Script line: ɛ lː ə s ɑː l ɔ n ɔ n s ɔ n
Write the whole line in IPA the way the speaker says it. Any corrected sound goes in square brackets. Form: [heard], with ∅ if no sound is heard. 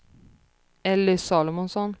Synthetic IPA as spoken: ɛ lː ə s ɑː l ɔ [m] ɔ n s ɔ n